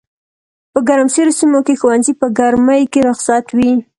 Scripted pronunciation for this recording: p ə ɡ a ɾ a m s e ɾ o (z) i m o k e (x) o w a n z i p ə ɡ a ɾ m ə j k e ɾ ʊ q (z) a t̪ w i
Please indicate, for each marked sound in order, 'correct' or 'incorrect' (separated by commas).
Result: incorrect, correct, incorrect